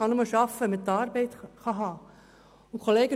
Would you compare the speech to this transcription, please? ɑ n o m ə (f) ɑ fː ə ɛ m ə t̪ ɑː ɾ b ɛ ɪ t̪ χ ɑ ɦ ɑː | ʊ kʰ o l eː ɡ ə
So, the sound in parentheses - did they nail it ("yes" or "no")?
no